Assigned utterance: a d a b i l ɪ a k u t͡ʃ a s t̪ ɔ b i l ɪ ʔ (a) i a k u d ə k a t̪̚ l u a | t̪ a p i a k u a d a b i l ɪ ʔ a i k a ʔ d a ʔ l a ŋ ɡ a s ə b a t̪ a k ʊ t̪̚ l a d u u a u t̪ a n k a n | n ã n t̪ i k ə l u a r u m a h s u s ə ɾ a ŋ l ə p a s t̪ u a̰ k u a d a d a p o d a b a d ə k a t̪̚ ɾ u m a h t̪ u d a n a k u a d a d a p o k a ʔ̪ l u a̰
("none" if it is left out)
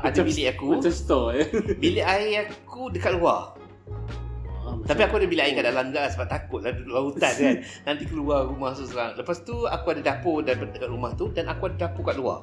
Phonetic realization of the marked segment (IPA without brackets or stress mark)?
a